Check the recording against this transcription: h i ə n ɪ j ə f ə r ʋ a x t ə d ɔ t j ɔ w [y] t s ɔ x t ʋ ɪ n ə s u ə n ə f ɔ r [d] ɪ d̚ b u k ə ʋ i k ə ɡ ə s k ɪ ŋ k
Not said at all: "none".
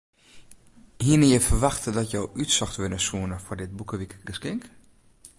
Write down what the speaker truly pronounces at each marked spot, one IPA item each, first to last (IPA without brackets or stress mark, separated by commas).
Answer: y, d